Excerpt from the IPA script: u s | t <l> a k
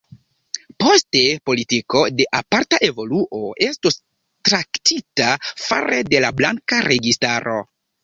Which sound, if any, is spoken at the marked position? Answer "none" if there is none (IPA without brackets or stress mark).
ɾ